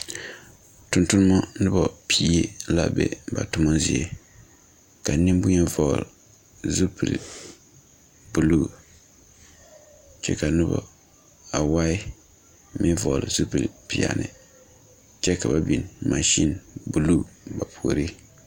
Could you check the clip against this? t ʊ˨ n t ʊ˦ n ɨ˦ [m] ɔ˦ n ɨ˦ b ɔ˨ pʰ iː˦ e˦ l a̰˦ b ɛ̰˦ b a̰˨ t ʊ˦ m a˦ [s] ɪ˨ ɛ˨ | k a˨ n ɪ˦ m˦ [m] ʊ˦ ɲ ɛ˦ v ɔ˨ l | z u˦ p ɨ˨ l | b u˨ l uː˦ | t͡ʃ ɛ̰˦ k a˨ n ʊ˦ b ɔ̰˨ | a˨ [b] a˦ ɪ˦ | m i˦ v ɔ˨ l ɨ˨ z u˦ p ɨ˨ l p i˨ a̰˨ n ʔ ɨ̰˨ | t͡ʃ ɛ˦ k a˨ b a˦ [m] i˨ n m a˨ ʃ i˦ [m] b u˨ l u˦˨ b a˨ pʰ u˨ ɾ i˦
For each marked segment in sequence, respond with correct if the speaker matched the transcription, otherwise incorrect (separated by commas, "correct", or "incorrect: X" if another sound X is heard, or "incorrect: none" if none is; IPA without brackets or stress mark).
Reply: correct, incorrect: z, incorrect: b, incorrect: w, incorrect: b, incorrect: n